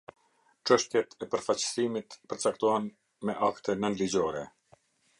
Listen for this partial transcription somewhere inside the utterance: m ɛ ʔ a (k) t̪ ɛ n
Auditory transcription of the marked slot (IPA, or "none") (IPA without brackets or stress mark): k